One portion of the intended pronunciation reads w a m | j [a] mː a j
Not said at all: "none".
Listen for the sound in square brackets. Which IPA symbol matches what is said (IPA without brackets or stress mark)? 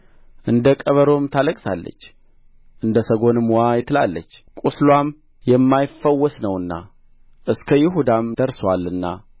ɛ